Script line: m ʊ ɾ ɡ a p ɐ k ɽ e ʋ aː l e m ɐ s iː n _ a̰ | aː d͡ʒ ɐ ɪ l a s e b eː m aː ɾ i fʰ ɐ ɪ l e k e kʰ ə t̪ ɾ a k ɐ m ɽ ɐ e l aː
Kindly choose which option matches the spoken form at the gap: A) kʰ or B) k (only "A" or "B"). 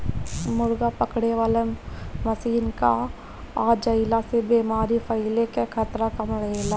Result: B